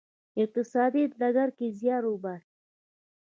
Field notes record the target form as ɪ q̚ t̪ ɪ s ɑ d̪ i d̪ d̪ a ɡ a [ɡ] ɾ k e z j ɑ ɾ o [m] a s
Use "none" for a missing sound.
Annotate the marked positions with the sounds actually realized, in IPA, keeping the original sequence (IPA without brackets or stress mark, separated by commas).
none, b